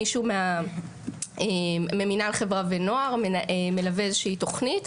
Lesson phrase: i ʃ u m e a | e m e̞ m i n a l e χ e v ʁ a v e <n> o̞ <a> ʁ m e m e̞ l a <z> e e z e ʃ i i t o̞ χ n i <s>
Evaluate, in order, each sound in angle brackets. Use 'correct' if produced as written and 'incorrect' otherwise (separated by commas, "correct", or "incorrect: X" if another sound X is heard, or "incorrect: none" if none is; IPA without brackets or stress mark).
correct, correct, incorrect: v, incorrect: t